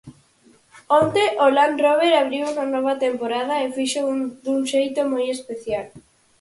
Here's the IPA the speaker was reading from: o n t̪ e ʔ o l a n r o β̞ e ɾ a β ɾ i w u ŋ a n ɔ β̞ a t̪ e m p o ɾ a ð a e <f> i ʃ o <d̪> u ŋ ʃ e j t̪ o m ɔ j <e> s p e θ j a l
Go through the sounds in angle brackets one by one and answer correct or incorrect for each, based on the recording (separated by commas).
correct, correct, correct